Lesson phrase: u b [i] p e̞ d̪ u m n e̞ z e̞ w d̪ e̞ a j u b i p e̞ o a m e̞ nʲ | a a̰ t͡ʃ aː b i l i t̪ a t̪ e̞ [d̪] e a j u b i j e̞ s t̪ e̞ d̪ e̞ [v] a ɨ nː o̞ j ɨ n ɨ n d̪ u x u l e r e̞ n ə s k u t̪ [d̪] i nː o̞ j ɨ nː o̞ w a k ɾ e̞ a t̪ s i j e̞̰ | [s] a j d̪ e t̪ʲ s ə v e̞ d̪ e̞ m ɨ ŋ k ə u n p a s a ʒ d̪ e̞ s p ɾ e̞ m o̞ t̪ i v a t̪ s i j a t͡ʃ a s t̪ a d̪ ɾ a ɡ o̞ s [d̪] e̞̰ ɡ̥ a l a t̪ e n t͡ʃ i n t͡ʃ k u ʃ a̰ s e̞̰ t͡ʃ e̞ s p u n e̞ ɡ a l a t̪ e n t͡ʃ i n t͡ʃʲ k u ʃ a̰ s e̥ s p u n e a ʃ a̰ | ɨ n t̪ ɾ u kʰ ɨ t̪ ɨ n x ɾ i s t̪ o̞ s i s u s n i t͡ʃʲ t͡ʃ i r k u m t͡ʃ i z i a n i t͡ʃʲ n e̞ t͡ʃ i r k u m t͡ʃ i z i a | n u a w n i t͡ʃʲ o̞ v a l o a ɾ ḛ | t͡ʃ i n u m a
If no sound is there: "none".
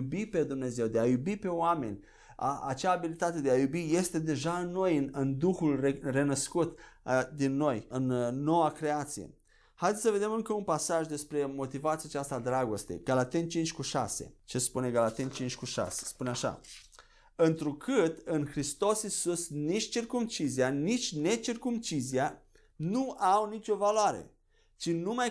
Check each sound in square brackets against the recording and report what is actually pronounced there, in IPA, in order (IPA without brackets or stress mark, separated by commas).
i, d̪, ʒ, d̪, h, t̪